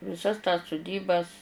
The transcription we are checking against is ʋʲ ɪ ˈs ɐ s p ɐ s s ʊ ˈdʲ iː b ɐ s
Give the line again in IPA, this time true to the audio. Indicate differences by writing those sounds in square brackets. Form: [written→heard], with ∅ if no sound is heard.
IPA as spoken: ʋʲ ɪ ˈs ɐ s [p→t] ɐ s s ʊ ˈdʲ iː b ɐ s